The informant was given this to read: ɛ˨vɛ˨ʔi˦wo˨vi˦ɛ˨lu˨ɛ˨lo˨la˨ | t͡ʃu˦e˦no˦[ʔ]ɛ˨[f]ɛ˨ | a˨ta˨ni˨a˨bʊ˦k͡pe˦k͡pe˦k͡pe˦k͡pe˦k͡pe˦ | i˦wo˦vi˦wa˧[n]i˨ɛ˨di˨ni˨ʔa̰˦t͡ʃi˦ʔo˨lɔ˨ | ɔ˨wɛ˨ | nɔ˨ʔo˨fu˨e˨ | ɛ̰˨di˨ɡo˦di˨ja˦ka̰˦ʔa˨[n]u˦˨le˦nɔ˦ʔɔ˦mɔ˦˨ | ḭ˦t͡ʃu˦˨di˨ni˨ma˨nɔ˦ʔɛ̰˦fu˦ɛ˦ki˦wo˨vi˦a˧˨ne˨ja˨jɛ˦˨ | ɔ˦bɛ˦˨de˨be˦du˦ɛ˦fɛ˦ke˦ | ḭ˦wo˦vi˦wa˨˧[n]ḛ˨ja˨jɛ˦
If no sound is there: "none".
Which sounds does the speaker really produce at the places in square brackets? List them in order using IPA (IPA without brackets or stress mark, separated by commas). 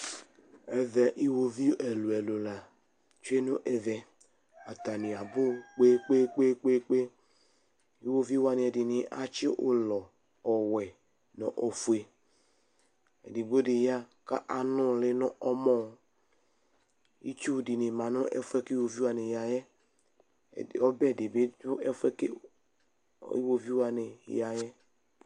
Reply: ʔ, v, n, n, n